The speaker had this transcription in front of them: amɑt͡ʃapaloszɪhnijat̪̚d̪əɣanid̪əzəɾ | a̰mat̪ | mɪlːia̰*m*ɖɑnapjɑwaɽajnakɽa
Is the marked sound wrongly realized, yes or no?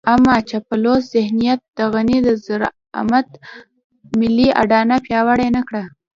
yes